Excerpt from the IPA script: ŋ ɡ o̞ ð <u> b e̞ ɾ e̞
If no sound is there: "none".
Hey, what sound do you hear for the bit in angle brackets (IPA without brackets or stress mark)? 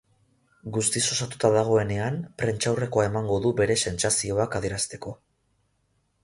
u